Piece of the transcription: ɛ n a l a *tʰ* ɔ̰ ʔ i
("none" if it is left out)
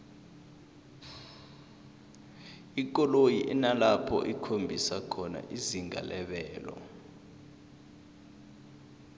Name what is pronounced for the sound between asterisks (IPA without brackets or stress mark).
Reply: pʰ